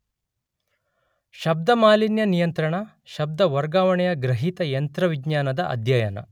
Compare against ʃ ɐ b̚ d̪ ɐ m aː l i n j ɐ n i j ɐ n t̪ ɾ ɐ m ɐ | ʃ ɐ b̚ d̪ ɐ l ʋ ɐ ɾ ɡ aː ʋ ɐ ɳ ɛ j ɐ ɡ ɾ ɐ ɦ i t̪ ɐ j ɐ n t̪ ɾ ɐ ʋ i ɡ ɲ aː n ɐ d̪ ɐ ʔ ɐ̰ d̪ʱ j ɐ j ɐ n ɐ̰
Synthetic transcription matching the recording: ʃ ɐ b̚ d̪ ɐ m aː l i n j ɐ n i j ɐ n t̪ ɾ ɐ ɳ ɐ | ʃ ɐ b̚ d̪ ɐ ʋ ɐ ɾ ɡ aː ʋ ɐ ɳ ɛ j ɐ ɡ ɾ ɐ ɦ i t̪ ɐ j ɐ n t̪ ɾ ɐ ʋ i ɡ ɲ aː n ɐ d̪ ɐ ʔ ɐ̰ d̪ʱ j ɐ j ɐ n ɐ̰